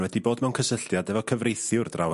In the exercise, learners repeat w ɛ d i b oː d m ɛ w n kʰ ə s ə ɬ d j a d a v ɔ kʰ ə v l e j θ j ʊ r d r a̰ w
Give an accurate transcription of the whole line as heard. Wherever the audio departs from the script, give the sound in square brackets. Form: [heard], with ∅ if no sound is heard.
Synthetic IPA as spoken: w ɛ d i b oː d m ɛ w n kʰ ə s ə ɬ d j a d [ɛ] v ɔ kʰ ə v [r] e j θ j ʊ r d r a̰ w